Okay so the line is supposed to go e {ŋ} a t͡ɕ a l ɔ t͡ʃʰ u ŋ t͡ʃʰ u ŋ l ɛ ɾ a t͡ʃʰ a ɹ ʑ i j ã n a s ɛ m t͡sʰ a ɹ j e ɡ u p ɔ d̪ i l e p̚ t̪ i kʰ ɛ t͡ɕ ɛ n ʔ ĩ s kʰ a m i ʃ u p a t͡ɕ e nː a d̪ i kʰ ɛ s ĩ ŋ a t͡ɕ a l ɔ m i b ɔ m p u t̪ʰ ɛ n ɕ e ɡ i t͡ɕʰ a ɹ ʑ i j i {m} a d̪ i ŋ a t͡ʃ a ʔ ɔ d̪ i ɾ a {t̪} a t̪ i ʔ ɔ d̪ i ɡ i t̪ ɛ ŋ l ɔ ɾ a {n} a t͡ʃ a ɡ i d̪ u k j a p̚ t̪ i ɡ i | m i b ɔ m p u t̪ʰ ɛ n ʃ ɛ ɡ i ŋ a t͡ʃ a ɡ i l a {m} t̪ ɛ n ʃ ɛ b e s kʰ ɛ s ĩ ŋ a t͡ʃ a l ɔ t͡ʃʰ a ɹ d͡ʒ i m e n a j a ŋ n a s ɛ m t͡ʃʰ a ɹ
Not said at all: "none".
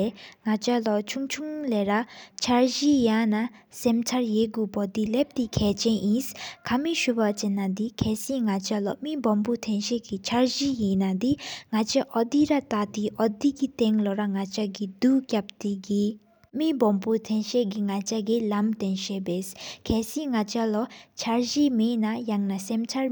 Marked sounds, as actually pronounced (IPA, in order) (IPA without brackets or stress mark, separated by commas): ŋ, n, t̪, ŋ, m